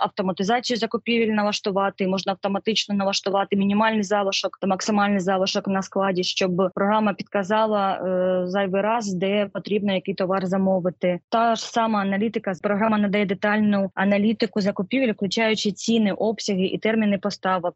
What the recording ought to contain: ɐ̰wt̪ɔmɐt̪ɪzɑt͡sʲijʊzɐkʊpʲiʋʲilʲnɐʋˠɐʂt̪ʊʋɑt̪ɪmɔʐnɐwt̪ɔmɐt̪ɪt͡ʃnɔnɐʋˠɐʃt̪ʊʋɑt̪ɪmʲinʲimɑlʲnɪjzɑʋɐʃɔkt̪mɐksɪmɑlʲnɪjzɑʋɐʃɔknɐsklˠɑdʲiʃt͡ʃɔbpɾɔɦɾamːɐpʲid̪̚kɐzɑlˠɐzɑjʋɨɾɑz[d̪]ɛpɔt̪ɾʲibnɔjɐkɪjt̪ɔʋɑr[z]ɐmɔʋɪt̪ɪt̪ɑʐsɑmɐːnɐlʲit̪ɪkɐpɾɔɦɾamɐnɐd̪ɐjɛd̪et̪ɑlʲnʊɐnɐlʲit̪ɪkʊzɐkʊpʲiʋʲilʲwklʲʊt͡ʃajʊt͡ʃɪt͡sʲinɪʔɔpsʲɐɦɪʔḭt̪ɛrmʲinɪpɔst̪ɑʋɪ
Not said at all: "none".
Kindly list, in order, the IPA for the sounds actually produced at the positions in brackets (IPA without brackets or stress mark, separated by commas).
d̪, z